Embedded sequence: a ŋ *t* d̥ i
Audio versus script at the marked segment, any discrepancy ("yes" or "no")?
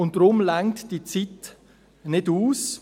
no